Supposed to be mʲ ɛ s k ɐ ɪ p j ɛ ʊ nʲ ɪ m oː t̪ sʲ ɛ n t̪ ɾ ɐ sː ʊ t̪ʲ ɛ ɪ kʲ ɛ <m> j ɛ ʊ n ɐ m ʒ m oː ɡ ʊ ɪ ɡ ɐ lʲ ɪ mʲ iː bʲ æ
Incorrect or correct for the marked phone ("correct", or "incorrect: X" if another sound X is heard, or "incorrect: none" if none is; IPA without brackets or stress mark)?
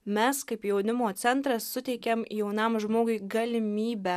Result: correct